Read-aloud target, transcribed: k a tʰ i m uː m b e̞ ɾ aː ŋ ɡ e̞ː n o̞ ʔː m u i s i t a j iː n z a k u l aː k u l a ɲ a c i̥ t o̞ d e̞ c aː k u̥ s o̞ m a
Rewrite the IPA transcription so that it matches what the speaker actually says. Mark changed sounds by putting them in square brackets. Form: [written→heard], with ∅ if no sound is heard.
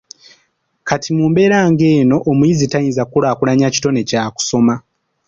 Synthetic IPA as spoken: k a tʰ i m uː m b e̞ ɾ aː ŋ ɡ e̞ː n o̞ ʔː m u i [s→z] i t a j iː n z a k u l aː k u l a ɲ a c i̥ t o̞ [d→n] e̞ c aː k u̥ s o̞ m a

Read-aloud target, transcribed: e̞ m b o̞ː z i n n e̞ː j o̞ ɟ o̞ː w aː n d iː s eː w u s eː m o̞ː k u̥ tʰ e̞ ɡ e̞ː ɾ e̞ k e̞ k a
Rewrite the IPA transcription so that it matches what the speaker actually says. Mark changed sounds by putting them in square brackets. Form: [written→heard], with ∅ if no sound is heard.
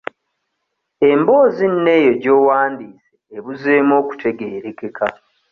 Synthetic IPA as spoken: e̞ m b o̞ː z i n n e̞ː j o̞ ɟ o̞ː w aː n d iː s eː [w→β] u [s→z] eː m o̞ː k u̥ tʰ e̞ ɡ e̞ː ɾ e̞ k e̞ k a

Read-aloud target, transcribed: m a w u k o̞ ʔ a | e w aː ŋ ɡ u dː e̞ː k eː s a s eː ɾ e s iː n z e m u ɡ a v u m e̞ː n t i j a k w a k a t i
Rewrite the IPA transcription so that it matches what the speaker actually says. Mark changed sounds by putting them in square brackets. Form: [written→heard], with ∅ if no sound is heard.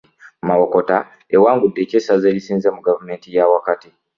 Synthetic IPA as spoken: m a w [u→o] k o̞ [ʔ→t] a | e w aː ŋ ɡ u dː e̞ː [k→c] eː s a [s→z] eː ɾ [e→i] s iː n z e m u ɡ a v u m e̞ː n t i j a [k→∅] w a k a t i

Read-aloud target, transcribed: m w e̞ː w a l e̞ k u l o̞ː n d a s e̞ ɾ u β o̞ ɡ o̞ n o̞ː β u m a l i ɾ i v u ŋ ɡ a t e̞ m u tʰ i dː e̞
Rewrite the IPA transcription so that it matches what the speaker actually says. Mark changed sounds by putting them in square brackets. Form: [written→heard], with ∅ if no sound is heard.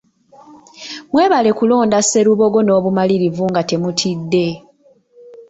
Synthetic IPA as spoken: m w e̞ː [w→β] a l e̞ k u l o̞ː n d a s e̞ ɾ u β o̞ ɡ o̞ n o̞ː β u m a l i ɾ i v u ŋ ɡ a t e̞ m u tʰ i dː e̞

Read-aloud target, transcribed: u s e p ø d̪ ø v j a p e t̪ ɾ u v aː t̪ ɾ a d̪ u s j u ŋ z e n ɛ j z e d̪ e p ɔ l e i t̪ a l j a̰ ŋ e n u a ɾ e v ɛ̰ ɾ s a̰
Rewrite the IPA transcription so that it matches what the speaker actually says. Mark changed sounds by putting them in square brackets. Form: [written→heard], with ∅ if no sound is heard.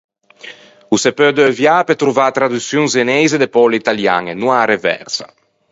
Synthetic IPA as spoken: u s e p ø d̪ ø v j a p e t̪ ɾ u v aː t̪ ɾ a d̪ u s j u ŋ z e n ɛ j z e d̪ e p ɔ l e i t̪ a l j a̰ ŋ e n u a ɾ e v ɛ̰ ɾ s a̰

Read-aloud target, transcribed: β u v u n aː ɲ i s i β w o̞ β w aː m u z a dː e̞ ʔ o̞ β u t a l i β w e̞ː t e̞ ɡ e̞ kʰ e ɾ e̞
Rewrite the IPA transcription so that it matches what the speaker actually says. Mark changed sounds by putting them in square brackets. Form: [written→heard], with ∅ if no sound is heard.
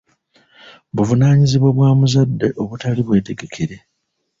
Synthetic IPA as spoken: β u v u n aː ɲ i [s→z] i β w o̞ β w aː m u z a dː e̞ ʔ o̞ β u t a l i β w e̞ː t e̞ ɡ e̞ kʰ e ɾ e̞

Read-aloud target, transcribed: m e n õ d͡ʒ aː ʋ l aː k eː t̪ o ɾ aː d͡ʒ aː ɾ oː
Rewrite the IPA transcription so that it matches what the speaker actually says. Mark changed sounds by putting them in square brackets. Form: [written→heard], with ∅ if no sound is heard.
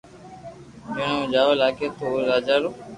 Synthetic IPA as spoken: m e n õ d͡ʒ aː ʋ l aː k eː t̪ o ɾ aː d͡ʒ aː ɾ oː

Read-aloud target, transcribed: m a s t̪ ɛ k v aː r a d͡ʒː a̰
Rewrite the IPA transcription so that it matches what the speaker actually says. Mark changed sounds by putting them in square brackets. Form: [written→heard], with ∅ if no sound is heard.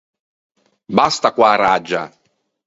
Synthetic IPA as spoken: [m→b] a s t̪ [ɛ→a] k [v→w] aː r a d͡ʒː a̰

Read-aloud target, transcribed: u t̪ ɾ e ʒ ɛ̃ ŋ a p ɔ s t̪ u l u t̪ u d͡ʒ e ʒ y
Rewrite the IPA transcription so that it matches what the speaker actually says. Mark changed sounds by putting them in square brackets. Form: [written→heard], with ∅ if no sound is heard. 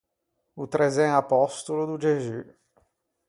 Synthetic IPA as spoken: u t̪ ɾ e [ʒ→z] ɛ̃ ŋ a p ɔ s t̪ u l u [t̪→d̪] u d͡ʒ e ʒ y

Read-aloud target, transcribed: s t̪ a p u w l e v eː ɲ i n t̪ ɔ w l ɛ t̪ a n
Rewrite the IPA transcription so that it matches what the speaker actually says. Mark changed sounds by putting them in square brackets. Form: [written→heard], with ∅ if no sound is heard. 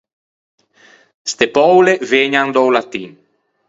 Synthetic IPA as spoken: s t̪ [a→e] p [u→ɔ] w l e v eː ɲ [i→a] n [t̪→d̪] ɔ w l [ɛ→a] t̪ [a→i] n

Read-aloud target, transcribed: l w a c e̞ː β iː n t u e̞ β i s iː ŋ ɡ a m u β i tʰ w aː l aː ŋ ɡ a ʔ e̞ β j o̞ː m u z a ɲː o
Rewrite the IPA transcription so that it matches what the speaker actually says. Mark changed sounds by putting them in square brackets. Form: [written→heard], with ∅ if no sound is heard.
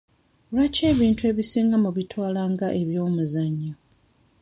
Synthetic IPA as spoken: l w a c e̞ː β iː n t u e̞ β i s iː ŋ ɡ a m u β i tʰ w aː l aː ŋ ɡ a ʔ e̞ β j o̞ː m u z a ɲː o

